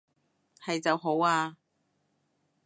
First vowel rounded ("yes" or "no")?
no